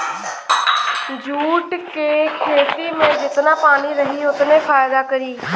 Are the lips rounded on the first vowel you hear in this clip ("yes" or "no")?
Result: yes